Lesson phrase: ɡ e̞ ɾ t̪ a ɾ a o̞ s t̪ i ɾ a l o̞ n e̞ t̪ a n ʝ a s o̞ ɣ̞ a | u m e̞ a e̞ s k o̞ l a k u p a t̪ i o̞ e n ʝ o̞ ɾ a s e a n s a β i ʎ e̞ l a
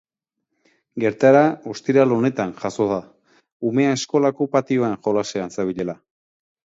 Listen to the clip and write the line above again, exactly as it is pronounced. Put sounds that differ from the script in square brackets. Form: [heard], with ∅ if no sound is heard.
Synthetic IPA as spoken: ɡ e̞ ɾ t̪ a ɾ a o̞ s t̪ i ɾ a l o̞ n e̞ t̪ a n ʝ a s o̞ [ð̞] a | u m e̞ a e̞ s k o̞ l a k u p a t̪ i o̞ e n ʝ o̞ [l] a s e a n s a β i ʎ e̞ l a